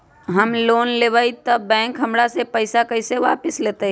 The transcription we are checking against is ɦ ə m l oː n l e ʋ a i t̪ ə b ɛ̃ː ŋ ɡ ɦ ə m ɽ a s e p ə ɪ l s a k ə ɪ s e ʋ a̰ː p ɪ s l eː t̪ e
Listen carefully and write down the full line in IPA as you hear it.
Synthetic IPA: ɦ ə m l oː n l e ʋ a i t̪ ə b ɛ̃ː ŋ k ɦ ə m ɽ a s e p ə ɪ s a k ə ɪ s e ʋ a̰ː p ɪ s l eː t̪ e